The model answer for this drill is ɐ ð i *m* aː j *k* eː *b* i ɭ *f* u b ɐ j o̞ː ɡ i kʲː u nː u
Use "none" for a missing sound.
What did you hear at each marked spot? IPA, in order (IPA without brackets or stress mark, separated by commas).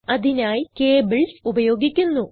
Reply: n, k, b, s